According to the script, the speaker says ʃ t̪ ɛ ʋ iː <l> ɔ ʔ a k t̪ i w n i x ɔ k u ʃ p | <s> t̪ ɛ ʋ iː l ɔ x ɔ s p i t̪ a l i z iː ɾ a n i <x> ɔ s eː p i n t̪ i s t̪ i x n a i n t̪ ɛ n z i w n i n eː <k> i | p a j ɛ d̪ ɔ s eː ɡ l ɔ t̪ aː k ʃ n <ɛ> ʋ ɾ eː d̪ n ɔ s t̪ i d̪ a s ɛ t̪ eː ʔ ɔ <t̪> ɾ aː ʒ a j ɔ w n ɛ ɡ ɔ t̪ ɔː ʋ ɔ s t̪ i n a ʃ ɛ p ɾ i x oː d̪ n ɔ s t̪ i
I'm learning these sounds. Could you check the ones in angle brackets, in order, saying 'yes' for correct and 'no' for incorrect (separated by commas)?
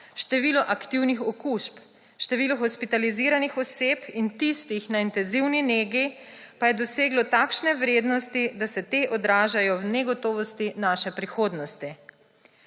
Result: yes, no, yes, no, yes, no